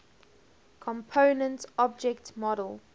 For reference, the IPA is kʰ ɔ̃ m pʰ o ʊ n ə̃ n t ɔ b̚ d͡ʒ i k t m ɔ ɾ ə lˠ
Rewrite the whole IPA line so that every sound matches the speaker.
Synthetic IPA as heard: kʰ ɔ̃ m pʰ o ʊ n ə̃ n t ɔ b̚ d͡ʒ ɛ k t m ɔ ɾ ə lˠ